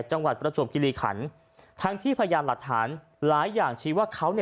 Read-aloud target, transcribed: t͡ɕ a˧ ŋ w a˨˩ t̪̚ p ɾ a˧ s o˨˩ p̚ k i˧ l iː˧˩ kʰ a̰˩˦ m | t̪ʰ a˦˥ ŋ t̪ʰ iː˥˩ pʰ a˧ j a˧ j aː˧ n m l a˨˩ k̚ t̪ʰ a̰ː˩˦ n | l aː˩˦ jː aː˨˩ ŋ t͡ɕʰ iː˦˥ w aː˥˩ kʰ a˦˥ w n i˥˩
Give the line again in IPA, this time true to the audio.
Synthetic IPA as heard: t͡ɕ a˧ ŋ w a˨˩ t̪̚ p ɾ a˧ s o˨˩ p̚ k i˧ l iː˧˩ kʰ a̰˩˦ n | t̪ʰ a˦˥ ŋ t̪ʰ iː˥˩ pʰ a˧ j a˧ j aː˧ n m l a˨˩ k̚ t̪ʰ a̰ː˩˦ n | l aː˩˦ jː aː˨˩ ŋ t͡ɕʰ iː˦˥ w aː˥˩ kʰ a˦˥ w n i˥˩

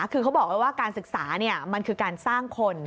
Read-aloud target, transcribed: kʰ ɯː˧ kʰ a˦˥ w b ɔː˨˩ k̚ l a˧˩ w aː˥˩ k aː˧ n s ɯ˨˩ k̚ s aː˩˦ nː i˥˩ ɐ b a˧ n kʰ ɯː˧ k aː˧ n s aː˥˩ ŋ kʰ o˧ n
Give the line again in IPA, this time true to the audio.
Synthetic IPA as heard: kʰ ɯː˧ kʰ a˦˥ w b ɔː˨˩ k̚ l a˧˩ w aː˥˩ k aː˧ n s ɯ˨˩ k̚ s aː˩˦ n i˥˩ ɐ m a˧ n kʰ ɯː˧ k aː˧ n s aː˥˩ ŋ kʰ o˧ n

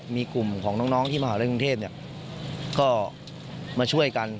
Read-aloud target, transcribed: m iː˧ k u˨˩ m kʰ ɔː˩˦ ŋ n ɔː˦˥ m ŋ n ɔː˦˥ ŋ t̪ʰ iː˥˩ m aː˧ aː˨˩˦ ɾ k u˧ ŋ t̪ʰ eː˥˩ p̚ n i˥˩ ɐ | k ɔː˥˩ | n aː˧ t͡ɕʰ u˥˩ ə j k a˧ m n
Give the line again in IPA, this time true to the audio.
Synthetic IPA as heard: m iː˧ k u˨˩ m kʰ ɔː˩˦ ŋ n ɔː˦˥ ŋ n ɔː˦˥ ŋ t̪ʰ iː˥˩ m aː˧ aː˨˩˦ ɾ k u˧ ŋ t̪ʰ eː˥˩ p̚ n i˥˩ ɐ | k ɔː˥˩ | m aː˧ t͡ɕʰ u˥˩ ə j k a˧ n

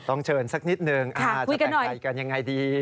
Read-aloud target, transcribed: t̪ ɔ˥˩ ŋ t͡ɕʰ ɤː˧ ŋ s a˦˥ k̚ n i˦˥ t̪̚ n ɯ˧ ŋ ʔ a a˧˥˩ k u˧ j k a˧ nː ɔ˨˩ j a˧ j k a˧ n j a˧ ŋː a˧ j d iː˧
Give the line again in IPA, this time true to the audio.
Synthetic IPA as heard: t̪ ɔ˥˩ ŋ t͡ɕʰ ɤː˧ n s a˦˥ k̚ n i˦˥ t̪̚ n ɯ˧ ŋ ʔ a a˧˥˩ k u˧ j k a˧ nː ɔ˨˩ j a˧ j k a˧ n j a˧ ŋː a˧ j d iː˧

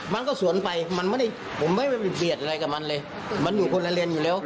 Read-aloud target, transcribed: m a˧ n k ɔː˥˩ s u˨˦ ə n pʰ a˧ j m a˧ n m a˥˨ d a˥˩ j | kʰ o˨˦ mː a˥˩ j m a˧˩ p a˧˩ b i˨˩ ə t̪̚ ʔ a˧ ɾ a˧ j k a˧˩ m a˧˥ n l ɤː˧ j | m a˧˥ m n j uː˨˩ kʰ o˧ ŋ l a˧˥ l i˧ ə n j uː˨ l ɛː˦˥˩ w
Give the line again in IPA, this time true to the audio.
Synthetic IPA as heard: m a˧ n k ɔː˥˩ s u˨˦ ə n p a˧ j m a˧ n m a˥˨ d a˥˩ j | pʰ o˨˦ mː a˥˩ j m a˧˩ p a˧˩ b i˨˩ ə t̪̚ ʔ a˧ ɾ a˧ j k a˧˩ m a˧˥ n l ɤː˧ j | m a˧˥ n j uː˨˩ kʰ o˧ n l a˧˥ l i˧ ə n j uː˨ l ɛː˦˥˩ w

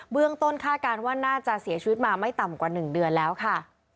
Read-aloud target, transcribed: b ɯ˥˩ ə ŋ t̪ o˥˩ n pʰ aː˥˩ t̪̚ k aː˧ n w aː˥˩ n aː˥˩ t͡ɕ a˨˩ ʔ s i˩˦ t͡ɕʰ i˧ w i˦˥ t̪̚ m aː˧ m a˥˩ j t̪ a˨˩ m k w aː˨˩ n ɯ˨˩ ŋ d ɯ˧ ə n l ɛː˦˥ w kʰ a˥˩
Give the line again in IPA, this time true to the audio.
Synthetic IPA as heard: b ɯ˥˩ ə ŋ t̪ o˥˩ n kʰ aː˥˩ t̪̚ k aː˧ n w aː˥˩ n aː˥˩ t͡ɕ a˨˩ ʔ s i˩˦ t͡ɕʰ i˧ w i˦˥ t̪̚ m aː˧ m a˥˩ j t̪ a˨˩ m k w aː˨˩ n ɯ˨˩ ŋ d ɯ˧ ə n l ɛː˦˥ w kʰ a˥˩

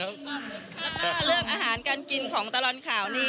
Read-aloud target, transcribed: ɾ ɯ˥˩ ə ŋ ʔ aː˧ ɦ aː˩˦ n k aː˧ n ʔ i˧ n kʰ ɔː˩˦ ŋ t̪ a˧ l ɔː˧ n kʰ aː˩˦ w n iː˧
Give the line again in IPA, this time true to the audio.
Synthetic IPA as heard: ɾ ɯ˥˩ ə ŋ ʔ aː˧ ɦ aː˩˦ n k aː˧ n k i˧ n kʰ ɔː˩˦ ŋ t̪ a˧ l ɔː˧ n kʰ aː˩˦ w n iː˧

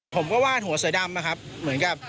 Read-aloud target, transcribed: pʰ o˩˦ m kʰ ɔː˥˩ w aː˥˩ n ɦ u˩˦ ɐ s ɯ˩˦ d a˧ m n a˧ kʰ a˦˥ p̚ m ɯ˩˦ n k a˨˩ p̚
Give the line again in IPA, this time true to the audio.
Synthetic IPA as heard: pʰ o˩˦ m k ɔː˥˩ w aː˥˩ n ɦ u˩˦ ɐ s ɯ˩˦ d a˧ m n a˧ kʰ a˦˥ p̚ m ɯ˩˦ n k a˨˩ p̚

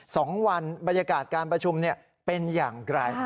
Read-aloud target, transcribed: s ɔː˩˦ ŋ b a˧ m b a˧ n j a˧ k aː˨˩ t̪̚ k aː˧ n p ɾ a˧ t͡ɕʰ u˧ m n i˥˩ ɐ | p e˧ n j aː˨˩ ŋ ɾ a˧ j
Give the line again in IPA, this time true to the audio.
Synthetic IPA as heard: s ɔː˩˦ ŋ w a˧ n b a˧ n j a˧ k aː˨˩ t̪̚ k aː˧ n p ɾ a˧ t͡ɕʰ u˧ m n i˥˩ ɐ | p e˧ n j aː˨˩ ŋ ɾ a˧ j

